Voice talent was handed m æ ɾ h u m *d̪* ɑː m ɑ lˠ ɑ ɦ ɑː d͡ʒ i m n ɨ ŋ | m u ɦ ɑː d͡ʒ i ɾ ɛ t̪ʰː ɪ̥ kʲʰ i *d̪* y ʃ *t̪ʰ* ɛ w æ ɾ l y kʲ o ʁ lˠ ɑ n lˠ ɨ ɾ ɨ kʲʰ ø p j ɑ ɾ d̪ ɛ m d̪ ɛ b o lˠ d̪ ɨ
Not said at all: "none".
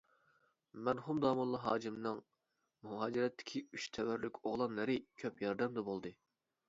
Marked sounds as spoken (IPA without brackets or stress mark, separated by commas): d̪, none, t̪ʰ